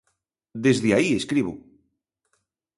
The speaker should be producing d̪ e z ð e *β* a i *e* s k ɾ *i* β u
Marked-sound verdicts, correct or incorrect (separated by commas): incorrect, correct, correct